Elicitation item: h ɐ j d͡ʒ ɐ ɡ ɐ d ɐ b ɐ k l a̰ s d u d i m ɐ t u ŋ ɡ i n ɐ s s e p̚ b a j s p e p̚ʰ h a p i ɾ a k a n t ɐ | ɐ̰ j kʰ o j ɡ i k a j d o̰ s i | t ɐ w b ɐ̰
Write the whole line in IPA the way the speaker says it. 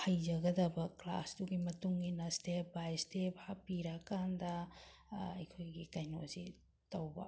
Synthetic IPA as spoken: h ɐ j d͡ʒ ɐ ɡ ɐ d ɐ b ɐ k l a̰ s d u ɡ i m ɐ t u ŋ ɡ i n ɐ s t e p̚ b a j s t e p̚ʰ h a p i ɾ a k a n d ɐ | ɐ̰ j kʰ o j ɡ i k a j n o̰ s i | t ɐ w b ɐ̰